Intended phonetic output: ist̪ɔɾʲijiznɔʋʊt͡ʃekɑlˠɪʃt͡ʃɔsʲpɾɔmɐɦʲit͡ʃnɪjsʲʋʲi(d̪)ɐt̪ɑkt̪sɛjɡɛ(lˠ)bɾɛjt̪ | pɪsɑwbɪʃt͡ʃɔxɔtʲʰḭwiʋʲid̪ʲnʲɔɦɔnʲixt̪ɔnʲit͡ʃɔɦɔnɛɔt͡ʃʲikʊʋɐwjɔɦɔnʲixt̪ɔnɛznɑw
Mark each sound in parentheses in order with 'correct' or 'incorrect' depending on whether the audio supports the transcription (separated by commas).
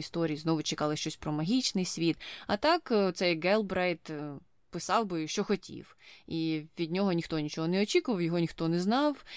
incorrect, correct